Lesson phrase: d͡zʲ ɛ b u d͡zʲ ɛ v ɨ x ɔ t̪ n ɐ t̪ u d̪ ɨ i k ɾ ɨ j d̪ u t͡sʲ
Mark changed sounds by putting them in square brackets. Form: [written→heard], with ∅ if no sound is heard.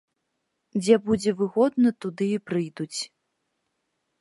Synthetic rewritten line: d͡zʲ ɛ b u d͡zʲ ɛ v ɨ [x→ɣ] ɔ [t̪→d̪] n ɐ t̪ u d̪ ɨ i [k→p] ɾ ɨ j d̪ u t͡sʲ

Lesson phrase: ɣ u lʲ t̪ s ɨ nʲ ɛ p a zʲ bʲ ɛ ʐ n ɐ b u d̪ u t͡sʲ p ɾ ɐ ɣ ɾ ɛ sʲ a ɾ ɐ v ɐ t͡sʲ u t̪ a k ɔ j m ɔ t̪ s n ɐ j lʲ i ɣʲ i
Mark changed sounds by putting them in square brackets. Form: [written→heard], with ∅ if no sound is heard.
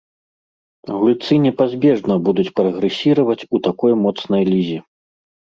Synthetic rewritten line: ɣ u lʲ t̪ s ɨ nʲ ɛ p a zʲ bʲ ɛ ʐ n ɐ b u d̪ u t͡sʲ p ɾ ɐ ɣ ɾ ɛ sʲ [a→i] ɾ ɐ v ɐ t͡sʲ u t̪ a k ɔ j m ɔ t̪ s n ɐ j lʲ i [ɣʲ→zʲ] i

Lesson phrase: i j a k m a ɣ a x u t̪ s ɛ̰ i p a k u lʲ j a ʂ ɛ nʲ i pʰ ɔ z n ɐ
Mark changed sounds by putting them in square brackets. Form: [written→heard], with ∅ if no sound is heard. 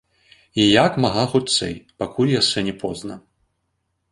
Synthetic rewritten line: i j a k m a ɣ a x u t̪ s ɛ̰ [i→j] p a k u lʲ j a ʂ ɛ nʲ [i→ɛ] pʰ ɔ z n ɐ

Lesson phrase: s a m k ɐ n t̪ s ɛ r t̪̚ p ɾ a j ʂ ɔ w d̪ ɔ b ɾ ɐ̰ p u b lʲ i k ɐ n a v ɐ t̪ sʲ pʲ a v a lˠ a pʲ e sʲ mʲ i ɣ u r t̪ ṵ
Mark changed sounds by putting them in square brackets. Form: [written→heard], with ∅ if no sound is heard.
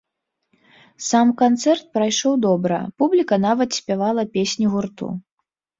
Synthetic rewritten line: s a m k [ɐ→a] n t̪ s ɛ r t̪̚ p ɾ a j ʂ ɔ w d̪ ɔ b ɾ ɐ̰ p u b lʲ i k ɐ n a v ɐ t̪ sʲ pʲ a v a lˠ [a→ɐ] pʲ e sʲ [mʲ→nʲ] i ɣ u r t̪ ṵ

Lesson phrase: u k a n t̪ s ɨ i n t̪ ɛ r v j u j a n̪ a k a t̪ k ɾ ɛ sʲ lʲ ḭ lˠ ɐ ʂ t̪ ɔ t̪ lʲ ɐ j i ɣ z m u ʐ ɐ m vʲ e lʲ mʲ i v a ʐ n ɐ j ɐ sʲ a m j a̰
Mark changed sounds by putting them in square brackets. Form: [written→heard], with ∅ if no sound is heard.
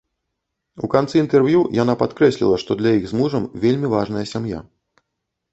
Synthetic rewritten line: u k a n t̪ s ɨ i n t̪ ɛ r v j u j a n̪ a [k→p] a t̪ k ɾ ɛ sʲ lʲ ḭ lˠ ɐ ʂ t̪ ɔ [t̪→d̪] lʲ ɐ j i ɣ z m u ʐ ɐ m vʲ e lʲ mʲ i v a ʐ n ɐ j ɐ sʲ a m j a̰

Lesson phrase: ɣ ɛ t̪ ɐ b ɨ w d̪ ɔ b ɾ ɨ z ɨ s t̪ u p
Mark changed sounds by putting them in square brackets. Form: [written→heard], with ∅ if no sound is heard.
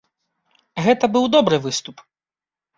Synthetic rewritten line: ɣ ɛ t̪ ɐ b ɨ w d̪ ɔ b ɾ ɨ [z→v] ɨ s t̪ u p

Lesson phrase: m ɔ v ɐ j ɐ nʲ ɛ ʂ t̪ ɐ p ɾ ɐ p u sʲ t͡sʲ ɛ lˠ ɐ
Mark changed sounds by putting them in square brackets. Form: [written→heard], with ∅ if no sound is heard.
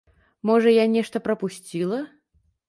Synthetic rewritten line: m ɔ [v→ʐ] ɐ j [ɐ→a] nʲ ɛ ʂ t̪ ɐ p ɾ ɐ p u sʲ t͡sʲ [ɛ→i] lˠ ɐ

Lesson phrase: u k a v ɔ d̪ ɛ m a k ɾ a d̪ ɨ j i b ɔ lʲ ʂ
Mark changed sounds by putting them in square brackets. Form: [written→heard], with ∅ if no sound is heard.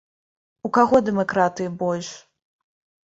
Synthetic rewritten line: u k a [v→ɣ] ɔ d̪ ɛ m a k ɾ a [d̪→t̪] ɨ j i b ɔ lʲ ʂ

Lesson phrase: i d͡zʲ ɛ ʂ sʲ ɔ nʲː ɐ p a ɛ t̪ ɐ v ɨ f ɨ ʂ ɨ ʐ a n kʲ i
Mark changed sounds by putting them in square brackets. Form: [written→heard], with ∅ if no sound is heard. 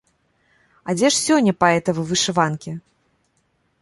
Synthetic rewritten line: [i→a] d͡zʲ ɛ ʂ sʲ ɔ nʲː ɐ p a ɛ t̪ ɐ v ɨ [f→v] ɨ ʂ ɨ [ʐ→v] a n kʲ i

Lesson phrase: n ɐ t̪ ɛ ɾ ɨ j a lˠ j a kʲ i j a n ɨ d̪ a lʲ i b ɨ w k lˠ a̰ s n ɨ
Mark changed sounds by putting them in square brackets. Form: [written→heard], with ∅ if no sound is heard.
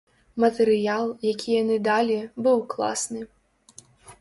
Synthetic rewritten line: [n→m] ɐ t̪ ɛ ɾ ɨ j a lˠ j a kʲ i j a n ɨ d̪ a lʲ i b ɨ w k lˠ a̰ s n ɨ

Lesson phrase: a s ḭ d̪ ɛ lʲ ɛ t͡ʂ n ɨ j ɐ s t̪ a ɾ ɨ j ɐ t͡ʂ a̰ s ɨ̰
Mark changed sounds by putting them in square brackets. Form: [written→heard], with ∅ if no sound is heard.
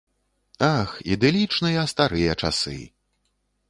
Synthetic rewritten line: a [s→x] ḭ d̪ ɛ lʲ [ɛ→i] t͡ʂ n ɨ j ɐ s t̪ a ɾ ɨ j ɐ t͡ʂ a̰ s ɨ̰

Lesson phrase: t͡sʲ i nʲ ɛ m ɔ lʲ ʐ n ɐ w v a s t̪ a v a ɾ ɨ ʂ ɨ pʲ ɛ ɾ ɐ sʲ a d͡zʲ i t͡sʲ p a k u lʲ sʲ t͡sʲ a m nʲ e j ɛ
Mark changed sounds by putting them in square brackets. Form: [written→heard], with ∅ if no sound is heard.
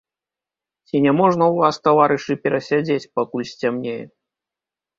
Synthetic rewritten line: t͡sʲ i nʲ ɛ m ɔ [lʲ→∅] ʐ n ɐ w v a s t̪ a v a ɾ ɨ ʂ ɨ pʲ ɛ ɾ ɐ sʲ a d͡zʲ [i→e] t͡sʲ p a k u lʲ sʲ t͡sʲ a m nʲ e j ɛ

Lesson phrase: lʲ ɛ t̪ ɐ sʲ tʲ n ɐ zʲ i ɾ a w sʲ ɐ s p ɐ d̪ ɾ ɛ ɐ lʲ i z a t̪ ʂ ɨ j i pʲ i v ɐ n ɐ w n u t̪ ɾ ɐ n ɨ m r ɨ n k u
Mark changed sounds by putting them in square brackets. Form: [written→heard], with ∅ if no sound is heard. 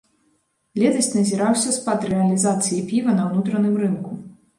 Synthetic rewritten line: lʲ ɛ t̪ ɐ sʲ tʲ n ɐ zʲ i ɾ a w sʲ ɐ s p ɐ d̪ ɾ ɛ ɐ lʲ i z a t̪ [ʂ→s] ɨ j i pʲ i v ɐ n ɐ w n u t̪ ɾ ɐ n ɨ m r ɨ n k u

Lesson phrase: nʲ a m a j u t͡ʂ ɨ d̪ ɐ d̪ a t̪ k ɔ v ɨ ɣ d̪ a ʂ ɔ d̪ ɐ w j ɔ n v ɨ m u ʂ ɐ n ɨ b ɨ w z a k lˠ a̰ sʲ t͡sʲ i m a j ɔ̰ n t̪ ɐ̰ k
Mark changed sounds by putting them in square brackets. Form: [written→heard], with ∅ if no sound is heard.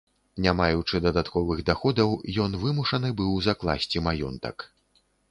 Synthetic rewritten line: nʲ a m a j u t͡ʂ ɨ d̪ ɐ d̪ a t̪ k ɔ v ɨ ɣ d̪ a [ʂ→x] ɔ d̪ ɐ w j ɔ n v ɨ m u ʂ ɐ n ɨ b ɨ w z a k lˠ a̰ sʲ t͡sʲ i m a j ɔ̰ n t̪ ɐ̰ k

